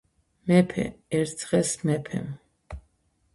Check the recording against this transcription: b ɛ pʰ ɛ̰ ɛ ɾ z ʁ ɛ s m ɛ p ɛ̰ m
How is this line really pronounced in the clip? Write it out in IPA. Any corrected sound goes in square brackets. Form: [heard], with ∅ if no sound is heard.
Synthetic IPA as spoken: [m] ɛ pʰ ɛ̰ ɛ ɾ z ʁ ɛ s m ɛ [pʰ] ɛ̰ m